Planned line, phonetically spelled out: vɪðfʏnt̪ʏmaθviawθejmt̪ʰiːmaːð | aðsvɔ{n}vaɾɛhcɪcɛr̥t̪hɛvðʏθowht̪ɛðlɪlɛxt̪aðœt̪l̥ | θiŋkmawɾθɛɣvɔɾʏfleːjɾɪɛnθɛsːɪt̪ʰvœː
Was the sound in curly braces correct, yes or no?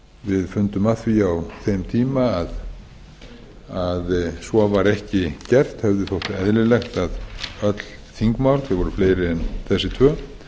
no